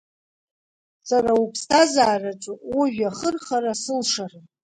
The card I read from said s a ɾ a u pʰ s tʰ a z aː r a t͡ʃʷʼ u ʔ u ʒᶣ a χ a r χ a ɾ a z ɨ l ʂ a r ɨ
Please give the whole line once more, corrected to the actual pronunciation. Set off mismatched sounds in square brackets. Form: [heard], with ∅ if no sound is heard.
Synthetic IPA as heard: s a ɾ a u pʰ s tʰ a z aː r a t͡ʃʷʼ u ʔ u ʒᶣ a χ [ə] r χ a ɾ a [s] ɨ l ʂ a r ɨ